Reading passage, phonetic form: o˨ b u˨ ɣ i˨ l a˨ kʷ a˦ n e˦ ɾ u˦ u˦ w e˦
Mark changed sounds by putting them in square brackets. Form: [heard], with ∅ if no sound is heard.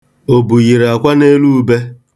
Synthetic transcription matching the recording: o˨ b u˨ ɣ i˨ [ɾ] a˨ kʷ a˦ n e˦ [l] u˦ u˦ [b] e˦

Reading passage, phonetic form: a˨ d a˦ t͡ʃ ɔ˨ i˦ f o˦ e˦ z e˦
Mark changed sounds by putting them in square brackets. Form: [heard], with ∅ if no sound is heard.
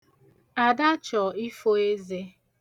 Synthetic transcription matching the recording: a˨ d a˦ t͡ʃ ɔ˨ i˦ f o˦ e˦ z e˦

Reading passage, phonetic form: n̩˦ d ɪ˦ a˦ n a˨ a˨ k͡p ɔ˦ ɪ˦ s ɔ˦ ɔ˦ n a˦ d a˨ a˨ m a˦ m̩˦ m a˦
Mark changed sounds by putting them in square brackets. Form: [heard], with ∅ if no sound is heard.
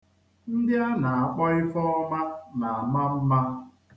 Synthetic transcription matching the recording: n̩˦ d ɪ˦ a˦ n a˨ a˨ k͡p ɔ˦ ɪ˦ [f] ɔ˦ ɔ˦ [m] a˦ [n] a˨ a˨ m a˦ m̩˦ m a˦

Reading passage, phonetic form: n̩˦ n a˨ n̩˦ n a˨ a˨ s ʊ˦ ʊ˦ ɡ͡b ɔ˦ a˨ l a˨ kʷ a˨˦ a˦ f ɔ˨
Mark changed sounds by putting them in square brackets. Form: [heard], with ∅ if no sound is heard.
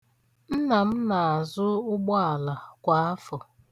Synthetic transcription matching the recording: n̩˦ n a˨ [m̩˦] n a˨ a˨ [z] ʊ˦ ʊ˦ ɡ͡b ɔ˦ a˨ l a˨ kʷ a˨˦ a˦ f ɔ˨

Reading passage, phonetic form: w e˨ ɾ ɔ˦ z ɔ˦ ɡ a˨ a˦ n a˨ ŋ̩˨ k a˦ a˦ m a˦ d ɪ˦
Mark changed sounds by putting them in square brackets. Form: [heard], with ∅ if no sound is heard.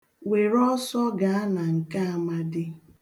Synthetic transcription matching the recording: w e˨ ɾ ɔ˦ [s] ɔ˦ ɡ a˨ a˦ n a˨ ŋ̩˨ k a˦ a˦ m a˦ d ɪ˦

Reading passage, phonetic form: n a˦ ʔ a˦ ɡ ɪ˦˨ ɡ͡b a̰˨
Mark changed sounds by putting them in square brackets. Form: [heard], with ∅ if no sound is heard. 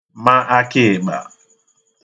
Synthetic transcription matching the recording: [m] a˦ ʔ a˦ [k] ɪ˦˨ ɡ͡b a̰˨

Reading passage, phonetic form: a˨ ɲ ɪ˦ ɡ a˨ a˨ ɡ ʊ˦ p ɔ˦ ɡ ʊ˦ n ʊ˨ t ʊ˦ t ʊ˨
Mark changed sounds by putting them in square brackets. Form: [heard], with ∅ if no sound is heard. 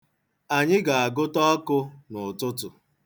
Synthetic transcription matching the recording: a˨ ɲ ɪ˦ ɡ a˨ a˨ ɡ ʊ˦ [t] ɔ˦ [k] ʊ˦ n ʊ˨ t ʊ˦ t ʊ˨

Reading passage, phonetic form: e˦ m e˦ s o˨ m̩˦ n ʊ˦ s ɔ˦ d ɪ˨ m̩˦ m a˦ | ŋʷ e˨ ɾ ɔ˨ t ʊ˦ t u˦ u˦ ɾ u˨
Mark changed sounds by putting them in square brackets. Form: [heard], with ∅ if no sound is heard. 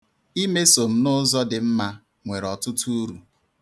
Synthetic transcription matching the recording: [i˦] m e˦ s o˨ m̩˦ n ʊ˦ [z] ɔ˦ d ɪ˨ m̩˦ m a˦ | ŋʷ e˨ ɾ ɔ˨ t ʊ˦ t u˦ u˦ ɾ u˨

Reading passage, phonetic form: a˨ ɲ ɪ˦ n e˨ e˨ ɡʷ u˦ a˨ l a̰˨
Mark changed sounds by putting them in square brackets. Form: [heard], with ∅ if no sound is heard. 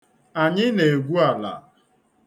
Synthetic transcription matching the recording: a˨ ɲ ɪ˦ n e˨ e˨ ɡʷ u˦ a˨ l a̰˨

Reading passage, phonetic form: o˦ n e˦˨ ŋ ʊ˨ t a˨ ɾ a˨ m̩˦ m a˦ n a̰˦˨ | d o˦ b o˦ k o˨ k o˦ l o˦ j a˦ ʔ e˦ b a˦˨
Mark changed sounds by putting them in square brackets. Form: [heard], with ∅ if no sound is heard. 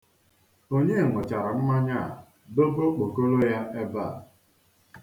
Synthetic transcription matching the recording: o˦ [ɲ] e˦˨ ŋ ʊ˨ [t͡ʃ] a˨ ɾ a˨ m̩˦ m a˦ [ɲ] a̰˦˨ | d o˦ b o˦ [k͡p] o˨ k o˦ l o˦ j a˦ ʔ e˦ b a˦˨

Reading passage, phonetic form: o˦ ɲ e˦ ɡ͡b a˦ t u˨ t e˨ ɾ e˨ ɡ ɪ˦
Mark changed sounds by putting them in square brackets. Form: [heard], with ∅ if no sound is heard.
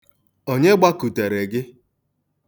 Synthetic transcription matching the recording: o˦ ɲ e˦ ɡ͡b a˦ [k] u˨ t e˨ ɾ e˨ ɡ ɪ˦

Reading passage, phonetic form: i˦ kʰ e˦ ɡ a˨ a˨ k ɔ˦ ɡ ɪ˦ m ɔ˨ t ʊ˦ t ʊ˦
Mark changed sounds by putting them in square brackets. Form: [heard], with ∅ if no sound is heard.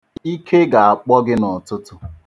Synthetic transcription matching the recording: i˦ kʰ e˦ ɡ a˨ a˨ [k͡p] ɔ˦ ɡ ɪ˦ [n] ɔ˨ t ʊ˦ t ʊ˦

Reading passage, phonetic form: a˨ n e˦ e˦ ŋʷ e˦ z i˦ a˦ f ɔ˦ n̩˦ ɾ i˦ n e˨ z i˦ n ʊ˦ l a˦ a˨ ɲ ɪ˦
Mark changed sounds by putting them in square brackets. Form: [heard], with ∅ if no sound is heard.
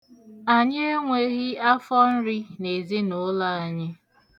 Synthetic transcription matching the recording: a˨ [ɲ] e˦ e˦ ŋʷ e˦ [ɣ] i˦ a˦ f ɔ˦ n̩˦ ɾ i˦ n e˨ z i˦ n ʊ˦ l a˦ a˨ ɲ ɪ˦

